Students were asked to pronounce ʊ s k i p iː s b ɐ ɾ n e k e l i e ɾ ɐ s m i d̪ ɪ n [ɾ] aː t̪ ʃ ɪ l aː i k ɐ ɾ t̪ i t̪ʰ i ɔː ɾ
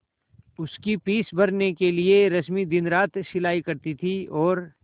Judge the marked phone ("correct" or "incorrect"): correct